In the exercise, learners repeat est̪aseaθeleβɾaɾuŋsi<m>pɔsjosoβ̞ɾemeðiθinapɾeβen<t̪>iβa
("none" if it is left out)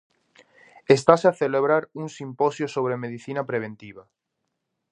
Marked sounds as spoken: m, t̪

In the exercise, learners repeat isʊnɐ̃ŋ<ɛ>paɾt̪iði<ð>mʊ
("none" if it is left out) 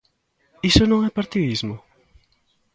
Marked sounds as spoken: ɛ, z

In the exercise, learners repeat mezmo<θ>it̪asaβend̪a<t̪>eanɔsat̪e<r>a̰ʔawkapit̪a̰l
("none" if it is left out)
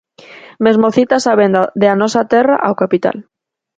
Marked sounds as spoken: θ, d̪, r

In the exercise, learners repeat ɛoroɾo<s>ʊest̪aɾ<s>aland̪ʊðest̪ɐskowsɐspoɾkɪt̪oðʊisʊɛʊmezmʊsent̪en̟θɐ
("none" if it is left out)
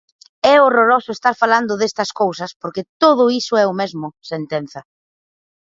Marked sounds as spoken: s, f

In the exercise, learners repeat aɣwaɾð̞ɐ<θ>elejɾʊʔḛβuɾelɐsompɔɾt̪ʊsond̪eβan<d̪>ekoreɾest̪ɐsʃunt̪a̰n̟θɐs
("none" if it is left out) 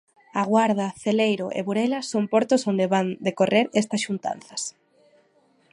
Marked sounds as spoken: θ, d̪

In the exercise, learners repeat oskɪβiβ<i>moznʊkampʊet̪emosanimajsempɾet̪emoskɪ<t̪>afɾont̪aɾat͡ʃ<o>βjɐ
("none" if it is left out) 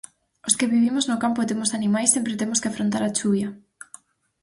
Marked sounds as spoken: i, none, u

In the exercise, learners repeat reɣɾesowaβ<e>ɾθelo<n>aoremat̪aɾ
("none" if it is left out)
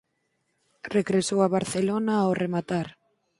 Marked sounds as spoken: a, n

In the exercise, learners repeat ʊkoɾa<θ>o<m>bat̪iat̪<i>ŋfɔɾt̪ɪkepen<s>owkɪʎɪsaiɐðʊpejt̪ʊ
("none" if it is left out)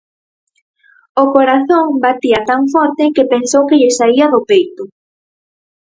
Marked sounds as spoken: θ, ŋ, a, s

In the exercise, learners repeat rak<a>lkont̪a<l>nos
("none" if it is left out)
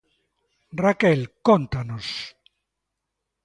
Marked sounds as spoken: e, none

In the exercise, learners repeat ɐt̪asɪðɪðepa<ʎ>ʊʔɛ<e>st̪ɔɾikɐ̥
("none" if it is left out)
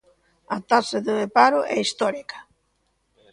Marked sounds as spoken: ɾ, i

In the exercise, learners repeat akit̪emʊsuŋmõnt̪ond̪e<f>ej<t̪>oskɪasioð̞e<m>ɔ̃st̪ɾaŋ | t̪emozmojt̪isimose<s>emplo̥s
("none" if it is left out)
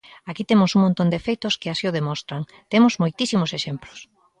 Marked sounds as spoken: f, t̪, m, ʃ

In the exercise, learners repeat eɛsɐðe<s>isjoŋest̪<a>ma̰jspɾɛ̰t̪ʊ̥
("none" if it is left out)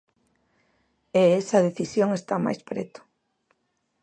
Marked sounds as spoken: θ, a

